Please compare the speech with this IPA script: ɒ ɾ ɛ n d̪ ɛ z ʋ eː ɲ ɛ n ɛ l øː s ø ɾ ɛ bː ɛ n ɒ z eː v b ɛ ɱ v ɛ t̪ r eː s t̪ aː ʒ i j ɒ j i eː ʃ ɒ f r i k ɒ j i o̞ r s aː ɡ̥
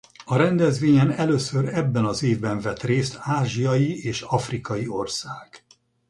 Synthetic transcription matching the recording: ɒ ɾ ɛ n d̪ ɛ z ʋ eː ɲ ɛ n ɛ l øː s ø ɾ ɛ bː ɛ n ɒ z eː v b ɛ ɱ v ɛ t̪ r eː s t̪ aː ʒ i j ɒ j i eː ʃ ɒ f r i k ɒ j i o̞ r s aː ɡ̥